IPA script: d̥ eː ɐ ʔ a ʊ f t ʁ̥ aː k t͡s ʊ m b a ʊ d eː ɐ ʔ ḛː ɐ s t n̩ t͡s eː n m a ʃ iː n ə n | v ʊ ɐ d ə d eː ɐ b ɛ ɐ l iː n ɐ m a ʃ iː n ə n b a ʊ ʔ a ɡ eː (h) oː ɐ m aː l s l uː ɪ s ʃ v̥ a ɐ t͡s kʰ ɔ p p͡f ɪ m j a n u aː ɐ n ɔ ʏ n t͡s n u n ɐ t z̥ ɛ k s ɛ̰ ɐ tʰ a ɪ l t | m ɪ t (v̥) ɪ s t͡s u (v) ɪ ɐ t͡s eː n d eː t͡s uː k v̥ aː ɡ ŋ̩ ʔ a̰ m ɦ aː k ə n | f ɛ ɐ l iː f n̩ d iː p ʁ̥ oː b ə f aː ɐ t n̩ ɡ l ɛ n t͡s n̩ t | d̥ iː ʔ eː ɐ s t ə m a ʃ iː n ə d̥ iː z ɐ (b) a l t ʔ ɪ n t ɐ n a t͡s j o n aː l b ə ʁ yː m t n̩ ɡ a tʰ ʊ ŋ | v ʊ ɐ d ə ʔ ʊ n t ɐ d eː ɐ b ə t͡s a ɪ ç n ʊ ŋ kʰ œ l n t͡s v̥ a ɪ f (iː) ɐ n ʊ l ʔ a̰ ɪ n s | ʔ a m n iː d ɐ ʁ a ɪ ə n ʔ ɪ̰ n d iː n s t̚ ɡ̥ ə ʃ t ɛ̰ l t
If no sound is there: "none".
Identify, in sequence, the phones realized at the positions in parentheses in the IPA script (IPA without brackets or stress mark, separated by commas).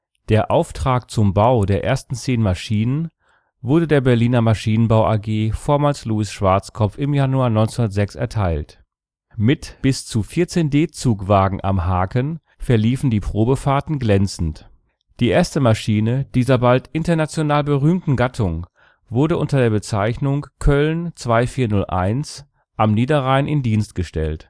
f, b̥, f, b, iː